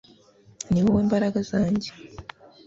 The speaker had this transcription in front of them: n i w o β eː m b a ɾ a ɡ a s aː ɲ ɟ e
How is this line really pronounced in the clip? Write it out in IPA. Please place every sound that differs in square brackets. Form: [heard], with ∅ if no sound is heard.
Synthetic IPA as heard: n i w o [w] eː m b a ɾ a ɡ a [z] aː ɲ ɟ e